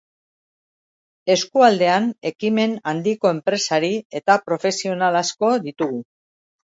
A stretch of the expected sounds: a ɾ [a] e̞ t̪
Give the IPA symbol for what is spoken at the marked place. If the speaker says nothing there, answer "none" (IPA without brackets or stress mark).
i